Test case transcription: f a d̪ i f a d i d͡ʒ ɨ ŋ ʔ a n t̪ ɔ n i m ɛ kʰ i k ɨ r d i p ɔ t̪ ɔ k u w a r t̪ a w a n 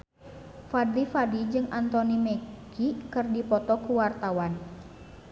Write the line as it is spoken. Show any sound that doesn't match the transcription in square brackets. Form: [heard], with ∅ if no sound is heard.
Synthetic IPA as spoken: f a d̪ i f a d i d͡ʒ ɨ ŋ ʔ a n t̪ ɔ n i m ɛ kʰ i k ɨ r d i p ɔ t̪ ɔ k u w a r t̪ a w a n